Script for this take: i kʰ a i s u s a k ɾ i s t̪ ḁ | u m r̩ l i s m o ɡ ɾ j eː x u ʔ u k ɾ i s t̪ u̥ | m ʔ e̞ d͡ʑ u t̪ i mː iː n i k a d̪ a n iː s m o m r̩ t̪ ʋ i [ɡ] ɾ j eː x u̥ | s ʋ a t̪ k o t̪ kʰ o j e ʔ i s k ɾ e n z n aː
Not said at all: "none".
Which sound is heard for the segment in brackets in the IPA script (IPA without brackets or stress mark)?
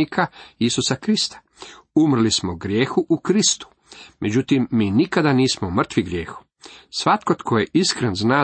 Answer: ɡ